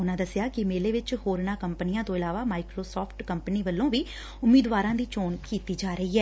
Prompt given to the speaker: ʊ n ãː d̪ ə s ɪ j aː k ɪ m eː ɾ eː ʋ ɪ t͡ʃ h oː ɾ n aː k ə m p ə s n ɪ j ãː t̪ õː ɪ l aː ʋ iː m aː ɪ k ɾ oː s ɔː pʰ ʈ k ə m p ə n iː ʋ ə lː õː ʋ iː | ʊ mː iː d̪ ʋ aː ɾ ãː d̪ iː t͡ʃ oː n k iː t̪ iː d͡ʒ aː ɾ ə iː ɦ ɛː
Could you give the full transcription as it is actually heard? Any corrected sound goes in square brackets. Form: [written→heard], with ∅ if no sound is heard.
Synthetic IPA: ʊ n ãː d̪ ə s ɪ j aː k ɪ m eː [ɾ→l] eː ʋ ɪ t͡ʃ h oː ɾ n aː k ə m p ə [s→∅] n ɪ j ãː t̪ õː ɪ l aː ʋ [iː→aː] m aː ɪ k ɾ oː s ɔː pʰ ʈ k ə m p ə n iː ʋ ə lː õː ʋ iː | ʊ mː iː d̪ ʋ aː ɾ ãː d̪ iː t͡ʃ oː n k iː t̪ iː d͡ʒ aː ɾ ə iː ɦ ɛː